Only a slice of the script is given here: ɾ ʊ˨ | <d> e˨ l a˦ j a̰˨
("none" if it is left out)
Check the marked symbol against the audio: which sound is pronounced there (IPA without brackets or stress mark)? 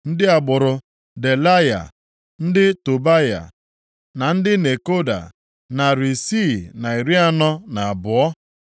d